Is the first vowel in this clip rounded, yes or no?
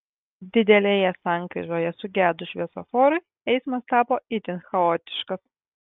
no